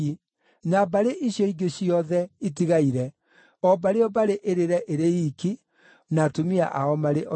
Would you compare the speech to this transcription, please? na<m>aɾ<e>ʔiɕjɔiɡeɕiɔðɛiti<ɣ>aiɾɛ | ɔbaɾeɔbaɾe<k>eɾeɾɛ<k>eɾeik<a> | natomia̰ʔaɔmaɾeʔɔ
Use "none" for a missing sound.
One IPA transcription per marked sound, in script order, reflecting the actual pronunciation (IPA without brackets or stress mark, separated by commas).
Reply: b, e, ɣ, ʔ, ʔ, i